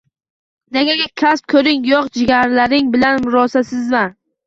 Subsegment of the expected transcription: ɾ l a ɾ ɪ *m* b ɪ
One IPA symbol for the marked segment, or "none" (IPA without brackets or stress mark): ŋ